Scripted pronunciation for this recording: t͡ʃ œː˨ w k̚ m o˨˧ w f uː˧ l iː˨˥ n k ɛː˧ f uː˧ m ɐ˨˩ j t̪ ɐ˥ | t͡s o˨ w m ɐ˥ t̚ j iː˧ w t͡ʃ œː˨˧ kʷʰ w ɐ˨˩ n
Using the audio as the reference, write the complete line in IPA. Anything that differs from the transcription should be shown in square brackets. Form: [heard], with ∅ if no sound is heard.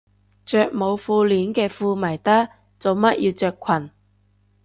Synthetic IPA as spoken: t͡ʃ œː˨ [∅] k̚ m o˨˧ w f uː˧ l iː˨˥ n k ɛː˧ f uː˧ m ɐ˨˩ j t̪ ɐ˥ | t͡s o˨ w m ɐ˥ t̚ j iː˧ w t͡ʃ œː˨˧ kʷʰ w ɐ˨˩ n